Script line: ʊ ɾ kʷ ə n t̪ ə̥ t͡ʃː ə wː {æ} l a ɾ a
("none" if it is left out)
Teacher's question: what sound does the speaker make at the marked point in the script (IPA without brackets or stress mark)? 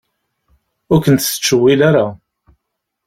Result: i